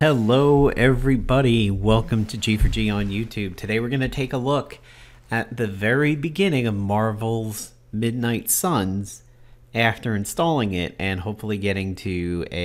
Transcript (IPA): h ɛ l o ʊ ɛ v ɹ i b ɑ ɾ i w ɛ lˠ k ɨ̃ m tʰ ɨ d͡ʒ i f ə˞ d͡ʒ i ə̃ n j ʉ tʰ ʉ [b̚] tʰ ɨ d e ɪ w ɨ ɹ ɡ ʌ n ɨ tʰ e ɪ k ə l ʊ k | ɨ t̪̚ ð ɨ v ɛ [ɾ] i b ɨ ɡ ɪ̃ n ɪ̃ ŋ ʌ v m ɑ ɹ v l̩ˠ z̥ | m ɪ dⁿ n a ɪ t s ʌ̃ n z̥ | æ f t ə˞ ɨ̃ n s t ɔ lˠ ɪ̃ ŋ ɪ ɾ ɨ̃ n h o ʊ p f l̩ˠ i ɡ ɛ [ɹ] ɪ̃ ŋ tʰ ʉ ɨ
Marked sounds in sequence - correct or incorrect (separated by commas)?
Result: correct, incorrect, incorrect